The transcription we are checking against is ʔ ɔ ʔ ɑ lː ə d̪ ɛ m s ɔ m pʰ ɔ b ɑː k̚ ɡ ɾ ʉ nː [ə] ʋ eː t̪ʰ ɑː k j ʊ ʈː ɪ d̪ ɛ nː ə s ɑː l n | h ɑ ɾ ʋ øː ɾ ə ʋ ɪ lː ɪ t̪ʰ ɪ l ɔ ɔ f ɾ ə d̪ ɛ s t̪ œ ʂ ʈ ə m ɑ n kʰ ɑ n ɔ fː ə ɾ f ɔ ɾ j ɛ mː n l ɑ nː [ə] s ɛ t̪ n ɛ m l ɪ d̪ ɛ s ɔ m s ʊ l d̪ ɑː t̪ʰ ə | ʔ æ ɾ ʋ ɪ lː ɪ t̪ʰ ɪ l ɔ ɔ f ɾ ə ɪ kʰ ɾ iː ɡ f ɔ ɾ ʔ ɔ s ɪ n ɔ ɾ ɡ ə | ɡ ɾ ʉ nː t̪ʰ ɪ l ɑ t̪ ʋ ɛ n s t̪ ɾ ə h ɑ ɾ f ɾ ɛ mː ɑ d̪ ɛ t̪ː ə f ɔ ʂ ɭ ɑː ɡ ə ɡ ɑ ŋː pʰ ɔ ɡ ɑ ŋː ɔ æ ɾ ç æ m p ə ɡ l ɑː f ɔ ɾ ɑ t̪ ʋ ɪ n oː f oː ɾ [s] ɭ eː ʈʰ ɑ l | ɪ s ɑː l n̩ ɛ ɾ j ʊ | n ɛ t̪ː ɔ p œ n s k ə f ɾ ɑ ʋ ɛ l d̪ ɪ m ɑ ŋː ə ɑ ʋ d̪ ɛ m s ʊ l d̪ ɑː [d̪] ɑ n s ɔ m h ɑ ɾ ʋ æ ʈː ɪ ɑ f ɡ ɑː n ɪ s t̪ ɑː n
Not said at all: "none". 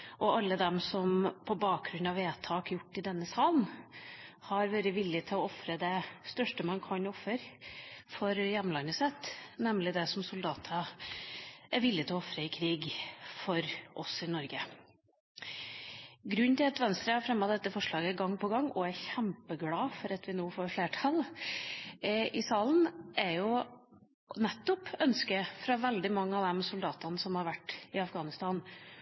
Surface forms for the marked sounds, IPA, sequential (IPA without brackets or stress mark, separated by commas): ɑ, ə, f, t̪